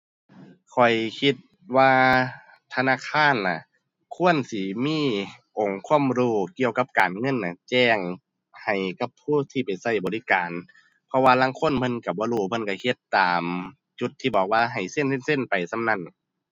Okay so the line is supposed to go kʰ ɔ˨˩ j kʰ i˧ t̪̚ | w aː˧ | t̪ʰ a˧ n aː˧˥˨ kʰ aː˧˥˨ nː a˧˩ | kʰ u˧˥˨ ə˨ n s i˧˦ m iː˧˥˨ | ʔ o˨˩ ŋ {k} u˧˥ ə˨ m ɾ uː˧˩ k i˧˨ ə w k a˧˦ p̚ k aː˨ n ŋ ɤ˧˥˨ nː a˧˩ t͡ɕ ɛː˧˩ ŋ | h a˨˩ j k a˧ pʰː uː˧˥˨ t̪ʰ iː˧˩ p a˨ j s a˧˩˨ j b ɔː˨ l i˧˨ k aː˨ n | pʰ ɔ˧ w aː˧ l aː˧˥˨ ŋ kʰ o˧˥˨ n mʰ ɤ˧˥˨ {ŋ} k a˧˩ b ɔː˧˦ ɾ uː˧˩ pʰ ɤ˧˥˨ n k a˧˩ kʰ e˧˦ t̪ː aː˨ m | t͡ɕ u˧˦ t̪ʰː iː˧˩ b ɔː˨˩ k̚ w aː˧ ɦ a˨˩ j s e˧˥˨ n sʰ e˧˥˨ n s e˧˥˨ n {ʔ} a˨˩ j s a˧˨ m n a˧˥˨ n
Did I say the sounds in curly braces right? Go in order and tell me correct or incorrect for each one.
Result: incorrect: kʰ, incorrect: n, incorrect: p

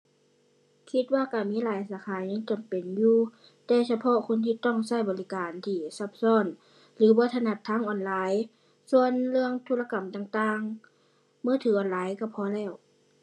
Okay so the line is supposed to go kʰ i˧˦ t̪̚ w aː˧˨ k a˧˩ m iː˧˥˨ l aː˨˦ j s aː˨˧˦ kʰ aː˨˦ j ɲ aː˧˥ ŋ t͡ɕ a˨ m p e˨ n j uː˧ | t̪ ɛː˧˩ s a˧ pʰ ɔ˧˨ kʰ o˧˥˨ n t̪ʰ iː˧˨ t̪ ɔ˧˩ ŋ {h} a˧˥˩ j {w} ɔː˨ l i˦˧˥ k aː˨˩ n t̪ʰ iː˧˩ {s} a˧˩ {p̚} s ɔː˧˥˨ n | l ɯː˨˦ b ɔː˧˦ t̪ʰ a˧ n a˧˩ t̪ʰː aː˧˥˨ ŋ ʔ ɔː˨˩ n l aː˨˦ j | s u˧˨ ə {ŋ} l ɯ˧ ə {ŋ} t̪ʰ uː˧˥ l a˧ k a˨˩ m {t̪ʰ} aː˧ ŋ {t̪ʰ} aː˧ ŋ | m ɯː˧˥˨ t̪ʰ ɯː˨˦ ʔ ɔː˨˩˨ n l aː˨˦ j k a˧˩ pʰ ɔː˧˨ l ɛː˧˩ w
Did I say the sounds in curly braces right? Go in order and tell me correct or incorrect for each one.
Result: incorrect: s, incorrect: b, correct, correct, incorrect: n, correct, incorrect: t̪, incorrect: t̪

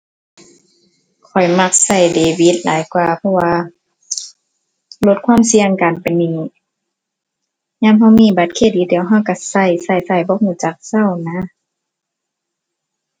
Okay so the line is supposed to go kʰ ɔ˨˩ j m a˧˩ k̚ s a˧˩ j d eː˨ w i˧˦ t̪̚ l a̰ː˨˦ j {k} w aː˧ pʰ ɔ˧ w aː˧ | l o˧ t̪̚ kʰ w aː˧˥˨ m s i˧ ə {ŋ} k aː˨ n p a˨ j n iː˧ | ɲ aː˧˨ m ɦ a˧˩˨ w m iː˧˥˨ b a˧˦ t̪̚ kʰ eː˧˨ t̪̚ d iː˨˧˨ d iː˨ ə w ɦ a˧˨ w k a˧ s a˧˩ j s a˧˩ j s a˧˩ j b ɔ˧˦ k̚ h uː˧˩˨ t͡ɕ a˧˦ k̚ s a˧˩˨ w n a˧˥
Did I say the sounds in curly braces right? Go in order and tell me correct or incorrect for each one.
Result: correct, correct

